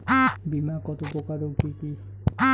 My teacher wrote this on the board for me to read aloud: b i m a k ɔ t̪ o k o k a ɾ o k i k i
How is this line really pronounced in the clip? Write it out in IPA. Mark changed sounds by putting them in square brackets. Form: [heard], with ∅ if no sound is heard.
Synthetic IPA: b i m a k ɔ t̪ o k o k a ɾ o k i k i